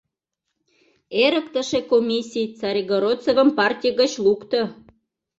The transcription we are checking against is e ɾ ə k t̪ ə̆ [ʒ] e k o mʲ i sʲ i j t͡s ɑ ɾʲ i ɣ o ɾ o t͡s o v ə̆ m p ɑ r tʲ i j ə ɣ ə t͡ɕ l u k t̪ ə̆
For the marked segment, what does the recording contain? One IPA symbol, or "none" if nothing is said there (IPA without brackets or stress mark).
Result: ʃ